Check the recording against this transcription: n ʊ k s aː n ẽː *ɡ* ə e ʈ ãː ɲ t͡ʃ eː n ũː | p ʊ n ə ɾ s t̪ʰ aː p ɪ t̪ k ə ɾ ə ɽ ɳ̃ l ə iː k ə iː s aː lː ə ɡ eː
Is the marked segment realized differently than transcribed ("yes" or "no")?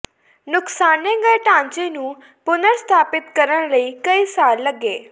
no